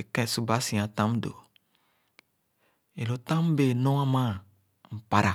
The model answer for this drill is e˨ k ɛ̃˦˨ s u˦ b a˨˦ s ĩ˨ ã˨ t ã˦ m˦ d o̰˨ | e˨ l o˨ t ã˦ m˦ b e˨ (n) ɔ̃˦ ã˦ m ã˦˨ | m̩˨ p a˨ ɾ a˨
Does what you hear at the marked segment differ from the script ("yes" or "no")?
no